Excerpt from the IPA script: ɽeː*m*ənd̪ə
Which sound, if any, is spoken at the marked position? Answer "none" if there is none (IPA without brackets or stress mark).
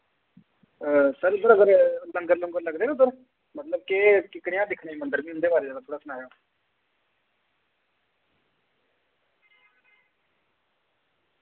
m